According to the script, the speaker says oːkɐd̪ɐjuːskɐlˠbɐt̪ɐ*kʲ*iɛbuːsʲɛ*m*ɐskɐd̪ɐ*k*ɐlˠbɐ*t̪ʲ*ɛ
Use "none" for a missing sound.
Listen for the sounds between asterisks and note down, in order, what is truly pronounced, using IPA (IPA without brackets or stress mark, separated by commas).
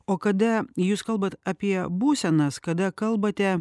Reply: pʲ, n, k, t̪ʲ